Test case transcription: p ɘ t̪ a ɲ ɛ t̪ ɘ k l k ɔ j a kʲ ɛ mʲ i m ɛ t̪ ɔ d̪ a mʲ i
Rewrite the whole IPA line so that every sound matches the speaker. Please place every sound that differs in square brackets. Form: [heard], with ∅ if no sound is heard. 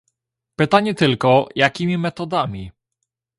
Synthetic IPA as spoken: p ɘ t̪ a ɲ ɛ t̪ ɘ [∅] l k ɔ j a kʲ [i] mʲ i m ɛ t̪ ɔ d̪ a mʲ i